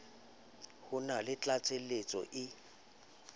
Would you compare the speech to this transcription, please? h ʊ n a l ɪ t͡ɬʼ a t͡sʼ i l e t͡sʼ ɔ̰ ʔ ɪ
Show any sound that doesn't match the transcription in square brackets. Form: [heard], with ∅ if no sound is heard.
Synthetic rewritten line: h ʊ n a l ɪ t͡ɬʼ a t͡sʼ [e] l e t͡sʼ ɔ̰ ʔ ɪ